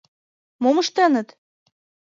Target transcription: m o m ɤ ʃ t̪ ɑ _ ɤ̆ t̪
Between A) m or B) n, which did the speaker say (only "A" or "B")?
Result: B